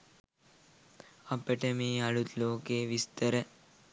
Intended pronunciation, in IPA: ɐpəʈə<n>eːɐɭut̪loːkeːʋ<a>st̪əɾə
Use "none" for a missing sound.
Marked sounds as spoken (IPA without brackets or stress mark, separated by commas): m, i